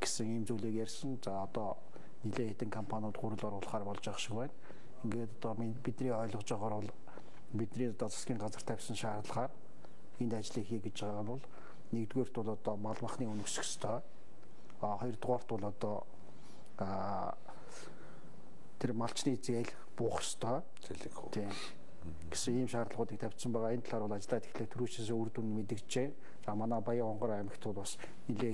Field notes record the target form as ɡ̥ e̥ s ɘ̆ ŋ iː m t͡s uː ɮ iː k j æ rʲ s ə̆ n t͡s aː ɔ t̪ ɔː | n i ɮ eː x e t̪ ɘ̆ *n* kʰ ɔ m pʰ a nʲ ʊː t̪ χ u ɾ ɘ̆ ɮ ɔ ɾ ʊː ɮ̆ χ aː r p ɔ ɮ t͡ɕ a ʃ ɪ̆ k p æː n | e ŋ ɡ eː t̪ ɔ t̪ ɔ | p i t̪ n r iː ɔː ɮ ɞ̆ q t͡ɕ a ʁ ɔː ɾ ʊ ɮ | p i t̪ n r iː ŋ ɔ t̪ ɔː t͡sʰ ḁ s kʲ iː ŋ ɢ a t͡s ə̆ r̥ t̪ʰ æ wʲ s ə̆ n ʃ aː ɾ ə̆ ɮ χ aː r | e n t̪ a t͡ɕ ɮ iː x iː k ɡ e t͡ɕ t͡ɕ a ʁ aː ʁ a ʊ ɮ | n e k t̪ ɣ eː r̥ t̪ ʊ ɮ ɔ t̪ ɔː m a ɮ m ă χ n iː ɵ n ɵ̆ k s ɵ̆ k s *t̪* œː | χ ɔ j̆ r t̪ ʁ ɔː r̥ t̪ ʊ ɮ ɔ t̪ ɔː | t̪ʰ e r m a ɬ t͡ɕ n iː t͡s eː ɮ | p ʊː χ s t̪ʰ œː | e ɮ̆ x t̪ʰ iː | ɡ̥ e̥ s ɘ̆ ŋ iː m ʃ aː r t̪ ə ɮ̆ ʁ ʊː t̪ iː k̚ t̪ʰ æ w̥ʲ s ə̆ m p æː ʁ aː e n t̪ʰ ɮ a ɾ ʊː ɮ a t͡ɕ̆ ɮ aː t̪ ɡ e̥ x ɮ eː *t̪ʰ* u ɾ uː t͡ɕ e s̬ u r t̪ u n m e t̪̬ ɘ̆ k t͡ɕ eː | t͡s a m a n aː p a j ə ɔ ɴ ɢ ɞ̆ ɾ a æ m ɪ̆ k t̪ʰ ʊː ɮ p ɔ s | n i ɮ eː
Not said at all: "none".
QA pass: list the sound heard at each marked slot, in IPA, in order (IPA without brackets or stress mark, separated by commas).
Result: ŋ, t̪ʰ, t̪ʰ